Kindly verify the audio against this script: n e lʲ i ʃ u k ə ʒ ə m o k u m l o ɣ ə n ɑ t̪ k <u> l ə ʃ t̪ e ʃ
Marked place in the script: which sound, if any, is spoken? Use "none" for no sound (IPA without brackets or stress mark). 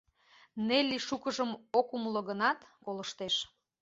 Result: o